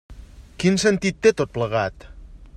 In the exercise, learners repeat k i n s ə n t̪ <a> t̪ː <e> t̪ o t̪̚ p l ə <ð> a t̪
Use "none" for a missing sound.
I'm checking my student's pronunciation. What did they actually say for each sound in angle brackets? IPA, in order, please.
i, e, ɣ

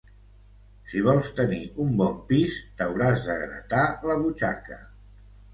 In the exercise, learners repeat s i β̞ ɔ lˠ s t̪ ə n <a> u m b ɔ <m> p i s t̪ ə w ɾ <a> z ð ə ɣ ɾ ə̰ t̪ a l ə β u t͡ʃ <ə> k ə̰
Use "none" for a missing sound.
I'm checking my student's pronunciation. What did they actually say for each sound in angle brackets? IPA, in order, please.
i, m, a, a

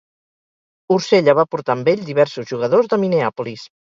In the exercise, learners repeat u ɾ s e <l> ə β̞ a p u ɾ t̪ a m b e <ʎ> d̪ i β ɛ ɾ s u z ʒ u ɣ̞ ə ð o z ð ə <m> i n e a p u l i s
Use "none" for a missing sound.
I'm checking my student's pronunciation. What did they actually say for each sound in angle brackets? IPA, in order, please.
ʎ, ʎ, m

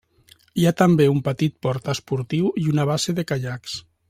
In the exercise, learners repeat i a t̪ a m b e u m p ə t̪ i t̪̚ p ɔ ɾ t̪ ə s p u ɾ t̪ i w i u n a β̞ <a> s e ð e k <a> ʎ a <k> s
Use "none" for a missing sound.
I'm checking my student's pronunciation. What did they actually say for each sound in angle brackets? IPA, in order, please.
a, a, k

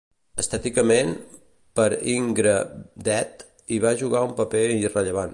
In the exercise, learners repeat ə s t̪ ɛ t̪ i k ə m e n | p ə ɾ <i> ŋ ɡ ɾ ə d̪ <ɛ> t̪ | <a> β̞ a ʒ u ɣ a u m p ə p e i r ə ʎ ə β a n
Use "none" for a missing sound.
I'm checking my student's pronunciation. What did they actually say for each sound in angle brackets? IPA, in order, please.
i, ɛ, i

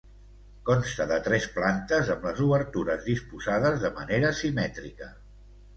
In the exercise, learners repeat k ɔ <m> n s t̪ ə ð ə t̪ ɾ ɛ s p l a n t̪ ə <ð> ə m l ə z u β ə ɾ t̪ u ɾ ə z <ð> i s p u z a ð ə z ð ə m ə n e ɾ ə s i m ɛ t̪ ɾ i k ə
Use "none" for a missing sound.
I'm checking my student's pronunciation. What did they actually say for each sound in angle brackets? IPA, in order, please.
none, z, ð

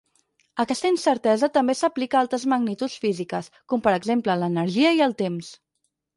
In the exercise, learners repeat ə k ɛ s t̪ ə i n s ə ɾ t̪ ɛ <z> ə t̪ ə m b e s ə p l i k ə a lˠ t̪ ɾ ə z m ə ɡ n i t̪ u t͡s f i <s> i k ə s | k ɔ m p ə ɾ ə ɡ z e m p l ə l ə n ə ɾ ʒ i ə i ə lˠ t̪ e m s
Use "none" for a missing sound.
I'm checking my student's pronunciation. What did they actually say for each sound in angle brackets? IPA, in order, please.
z, z

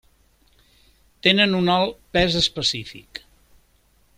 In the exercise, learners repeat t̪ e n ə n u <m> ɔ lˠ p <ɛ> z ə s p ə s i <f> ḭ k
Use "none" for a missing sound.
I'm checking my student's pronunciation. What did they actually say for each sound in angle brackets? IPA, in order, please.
n, ɛ, f

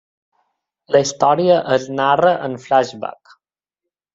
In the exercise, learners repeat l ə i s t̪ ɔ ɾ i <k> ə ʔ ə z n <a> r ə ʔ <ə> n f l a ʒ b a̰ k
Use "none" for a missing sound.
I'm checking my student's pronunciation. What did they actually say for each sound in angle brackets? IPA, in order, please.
none, a, ə

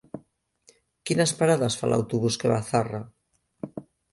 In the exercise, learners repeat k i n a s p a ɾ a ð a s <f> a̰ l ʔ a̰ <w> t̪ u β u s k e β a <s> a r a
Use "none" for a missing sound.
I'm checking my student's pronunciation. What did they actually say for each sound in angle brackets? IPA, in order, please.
f, w, θ

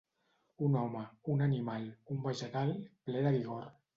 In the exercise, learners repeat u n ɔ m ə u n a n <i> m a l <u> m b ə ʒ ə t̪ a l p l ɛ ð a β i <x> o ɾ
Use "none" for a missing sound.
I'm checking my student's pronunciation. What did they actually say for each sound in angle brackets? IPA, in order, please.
i, u, ɣ

